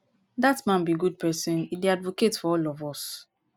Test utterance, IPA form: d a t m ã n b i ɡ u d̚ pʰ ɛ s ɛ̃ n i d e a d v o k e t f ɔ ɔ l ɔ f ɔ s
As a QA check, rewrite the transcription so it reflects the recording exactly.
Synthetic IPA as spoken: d a t m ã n b i ɡ u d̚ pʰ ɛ s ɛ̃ n i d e a d v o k e t f ɔ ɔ l ɔ v ɔ s

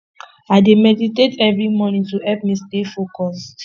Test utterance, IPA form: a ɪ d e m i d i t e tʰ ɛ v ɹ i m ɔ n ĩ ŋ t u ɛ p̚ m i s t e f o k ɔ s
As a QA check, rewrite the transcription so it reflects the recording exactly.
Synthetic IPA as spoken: a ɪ d e m ɛ d i t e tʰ ɛ v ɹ i m ɔ n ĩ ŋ t u ɛ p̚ m i s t e f o k ɔ s

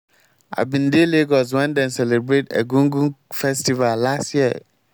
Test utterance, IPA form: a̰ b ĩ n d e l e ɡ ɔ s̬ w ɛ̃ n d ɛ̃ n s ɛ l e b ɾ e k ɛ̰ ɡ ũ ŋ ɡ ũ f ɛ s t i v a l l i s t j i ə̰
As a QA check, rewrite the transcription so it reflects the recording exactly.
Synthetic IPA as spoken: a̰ b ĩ n d e l e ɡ ɔ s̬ w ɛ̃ n d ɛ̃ n s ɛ l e b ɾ e t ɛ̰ ɡ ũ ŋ ɡ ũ f ɛ s t i v a l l a s t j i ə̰

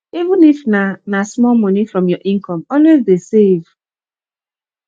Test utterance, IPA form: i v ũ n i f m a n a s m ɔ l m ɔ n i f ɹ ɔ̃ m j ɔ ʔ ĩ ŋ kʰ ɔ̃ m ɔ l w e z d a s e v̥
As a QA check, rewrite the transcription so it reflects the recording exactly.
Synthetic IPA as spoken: i v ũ n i f n a n a s m ɔ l m ɔ n i f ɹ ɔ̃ m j ɔ ʔ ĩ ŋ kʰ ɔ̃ m ɔ l w e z d e s e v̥

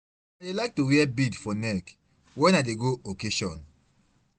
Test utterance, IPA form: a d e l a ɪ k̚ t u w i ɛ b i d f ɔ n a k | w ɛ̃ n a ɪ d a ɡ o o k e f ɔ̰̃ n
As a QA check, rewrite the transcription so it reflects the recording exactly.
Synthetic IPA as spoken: a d e l a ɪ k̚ t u w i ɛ b i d f ɔ n ɛ k | w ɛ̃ n a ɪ d e ɡ o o k e ʃ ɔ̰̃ n

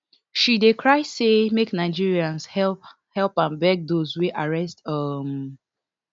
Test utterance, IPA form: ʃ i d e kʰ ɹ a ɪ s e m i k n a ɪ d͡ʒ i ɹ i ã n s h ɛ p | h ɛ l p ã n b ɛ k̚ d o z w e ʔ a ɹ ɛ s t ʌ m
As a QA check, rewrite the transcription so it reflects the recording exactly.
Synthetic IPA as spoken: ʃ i d e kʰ ɹ a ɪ s e m e k n a ɪ d͡ʒ i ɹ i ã n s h ɛ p | h ɛ l p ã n b ɛ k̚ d o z w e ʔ a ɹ ɛ s t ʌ m

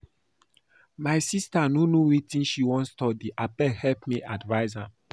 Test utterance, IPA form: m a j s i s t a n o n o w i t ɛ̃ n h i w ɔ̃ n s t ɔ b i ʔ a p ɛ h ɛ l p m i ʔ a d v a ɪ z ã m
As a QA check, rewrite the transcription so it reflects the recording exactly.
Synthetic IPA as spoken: m a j s i s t a n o n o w i t ĩ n ʃ i w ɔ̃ n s t ɔ d i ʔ a p ɛ h ɛ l p m i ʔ a d v a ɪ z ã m

